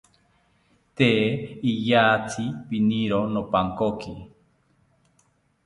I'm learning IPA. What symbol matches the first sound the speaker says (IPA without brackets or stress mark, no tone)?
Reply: t̪